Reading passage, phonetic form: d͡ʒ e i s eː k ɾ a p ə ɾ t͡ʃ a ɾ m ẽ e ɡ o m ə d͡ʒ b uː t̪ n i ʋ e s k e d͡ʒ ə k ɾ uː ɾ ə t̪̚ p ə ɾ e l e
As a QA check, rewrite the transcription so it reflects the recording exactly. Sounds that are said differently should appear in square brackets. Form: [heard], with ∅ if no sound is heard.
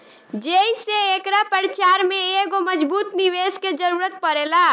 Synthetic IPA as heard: d͡ʒ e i s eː k ɾ a p ə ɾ t͡ʃ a ɾ m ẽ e ɡ o m ə d͡ʒ b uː t̪ n i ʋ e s k e d͡ʒ ə [∅] ɾ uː ɾ ə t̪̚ p ə ɾ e l [a]